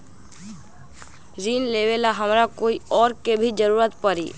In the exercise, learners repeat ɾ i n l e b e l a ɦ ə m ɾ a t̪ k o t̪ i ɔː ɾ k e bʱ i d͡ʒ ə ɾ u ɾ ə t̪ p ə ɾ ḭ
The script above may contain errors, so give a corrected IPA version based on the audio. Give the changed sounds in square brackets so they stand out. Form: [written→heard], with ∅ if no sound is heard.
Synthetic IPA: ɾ i n l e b e l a ɦ ə m ɾ a [t̪→∅] k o [t̪→∅] i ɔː ɾ k e bʱ i d͡ʒ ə ɾ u ɾ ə t̪ p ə ɾ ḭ